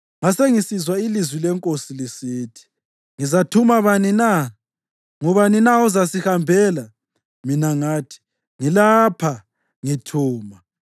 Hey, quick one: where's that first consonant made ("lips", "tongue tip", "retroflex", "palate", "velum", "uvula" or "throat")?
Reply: velum